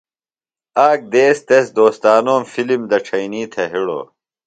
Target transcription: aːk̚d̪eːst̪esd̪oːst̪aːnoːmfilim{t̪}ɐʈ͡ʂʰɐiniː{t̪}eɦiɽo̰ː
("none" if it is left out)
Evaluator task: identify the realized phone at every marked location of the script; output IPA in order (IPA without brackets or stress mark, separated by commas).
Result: d̪, t̪ʰ